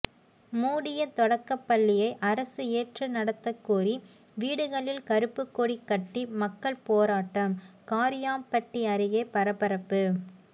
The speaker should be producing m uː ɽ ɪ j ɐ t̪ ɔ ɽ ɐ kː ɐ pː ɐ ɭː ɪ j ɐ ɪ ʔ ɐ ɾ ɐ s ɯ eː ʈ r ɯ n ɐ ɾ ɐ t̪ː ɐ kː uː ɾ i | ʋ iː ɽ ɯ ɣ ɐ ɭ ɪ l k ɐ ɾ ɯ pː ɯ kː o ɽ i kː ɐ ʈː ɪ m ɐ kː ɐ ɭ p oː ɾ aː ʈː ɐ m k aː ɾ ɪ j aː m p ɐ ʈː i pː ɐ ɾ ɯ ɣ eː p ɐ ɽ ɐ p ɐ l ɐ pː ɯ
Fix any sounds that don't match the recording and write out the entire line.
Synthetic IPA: m uː ɽ ɪ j ɐ t̪ ɔ ɽ ɐ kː ɐ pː ɐ ɭː ɪ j ɐ ɪ ʔ ɐ ɾ ɐ s ɯ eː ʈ r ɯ n ɐ ɽ ɐ t̪ː ɐ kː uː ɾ i | ʋ iː ɽ ɯ ɣ ɐ ɭ ɪ l k ɐ ɾ ɯ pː ɯ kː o ɽ i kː ɐ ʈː i m ɐ kː ɐ ɭ p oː ɾ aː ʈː ɐ m k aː ɾ ɪ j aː m p ɐ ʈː i ɐ ɾ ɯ ɣ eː p ɐ ɾ ɐ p ɐ ɾ ɐ pː ɯ